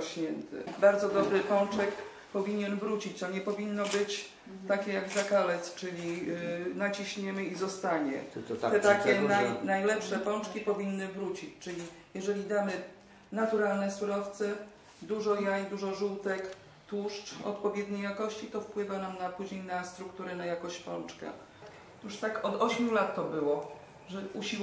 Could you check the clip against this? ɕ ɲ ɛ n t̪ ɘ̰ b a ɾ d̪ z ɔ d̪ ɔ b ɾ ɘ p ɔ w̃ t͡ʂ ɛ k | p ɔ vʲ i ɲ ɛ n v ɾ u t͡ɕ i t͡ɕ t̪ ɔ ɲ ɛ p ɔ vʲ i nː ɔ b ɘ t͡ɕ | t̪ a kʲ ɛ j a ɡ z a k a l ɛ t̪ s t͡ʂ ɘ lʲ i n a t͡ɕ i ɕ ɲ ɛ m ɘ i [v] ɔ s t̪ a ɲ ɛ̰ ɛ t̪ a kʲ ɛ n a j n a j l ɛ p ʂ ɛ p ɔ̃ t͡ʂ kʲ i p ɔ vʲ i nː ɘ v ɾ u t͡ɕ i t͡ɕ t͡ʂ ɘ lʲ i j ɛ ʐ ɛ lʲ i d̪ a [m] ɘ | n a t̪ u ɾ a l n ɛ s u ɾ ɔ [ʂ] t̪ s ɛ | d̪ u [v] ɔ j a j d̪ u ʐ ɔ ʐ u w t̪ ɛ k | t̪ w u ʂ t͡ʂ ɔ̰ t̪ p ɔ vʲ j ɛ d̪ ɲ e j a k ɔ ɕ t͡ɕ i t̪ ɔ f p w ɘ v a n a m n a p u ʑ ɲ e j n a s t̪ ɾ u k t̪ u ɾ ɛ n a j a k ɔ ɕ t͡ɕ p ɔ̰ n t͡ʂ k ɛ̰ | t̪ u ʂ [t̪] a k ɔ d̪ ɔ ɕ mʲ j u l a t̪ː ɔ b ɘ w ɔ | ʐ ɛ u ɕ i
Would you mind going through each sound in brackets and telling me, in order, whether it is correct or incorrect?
incorrect: z, correct, incorrect: f, incorrect: ʐ, correct

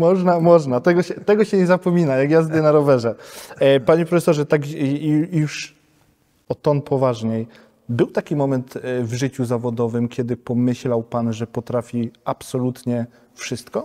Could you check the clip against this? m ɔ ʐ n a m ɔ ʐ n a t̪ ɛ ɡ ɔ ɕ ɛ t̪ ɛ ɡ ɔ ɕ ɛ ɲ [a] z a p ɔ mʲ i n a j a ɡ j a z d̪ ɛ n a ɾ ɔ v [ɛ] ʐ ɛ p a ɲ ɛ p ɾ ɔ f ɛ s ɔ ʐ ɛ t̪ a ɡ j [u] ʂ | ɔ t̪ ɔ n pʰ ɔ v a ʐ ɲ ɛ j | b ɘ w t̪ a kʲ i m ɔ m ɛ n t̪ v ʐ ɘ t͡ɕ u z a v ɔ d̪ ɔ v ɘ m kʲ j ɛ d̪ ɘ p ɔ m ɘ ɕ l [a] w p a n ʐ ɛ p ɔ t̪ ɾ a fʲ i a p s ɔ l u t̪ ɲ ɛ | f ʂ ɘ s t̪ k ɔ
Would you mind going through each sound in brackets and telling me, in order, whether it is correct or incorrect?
incorrect: ɛ, correct, correct, correct

